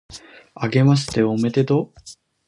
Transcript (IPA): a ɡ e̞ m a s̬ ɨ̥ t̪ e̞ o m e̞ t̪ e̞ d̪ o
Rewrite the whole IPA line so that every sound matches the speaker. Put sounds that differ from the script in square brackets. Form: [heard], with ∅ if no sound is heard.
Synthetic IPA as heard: a ɡ e̞ m a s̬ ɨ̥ t̪ e̞ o m e̞ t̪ e̞ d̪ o